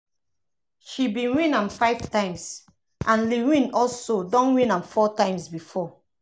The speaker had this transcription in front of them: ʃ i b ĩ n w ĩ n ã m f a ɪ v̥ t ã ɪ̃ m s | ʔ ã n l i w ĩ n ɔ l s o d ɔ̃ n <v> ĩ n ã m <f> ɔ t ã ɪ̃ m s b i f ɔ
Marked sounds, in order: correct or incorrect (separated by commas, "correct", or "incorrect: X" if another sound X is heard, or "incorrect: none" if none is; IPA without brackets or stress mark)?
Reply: incorrect: w, correct